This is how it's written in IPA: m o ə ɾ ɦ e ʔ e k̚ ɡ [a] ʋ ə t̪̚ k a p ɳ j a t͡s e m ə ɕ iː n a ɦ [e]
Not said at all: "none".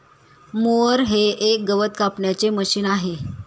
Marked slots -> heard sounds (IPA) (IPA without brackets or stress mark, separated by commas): ə, e